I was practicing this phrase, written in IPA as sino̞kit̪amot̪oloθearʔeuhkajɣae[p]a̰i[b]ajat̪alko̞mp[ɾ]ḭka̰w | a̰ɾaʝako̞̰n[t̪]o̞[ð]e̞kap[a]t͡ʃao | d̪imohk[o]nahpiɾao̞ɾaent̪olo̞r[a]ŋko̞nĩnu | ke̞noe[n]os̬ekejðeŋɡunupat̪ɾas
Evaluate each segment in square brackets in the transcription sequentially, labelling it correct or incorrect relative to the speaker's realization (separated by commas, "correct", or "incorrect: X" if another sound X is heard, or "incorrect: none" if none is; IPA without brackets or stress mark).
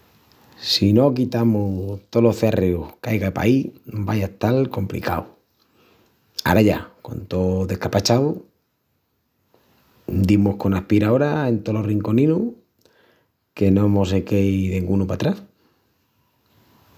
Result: correct, correct, incorrect: l, correct, correct, correct, correct, incorrect: i, incorrect: m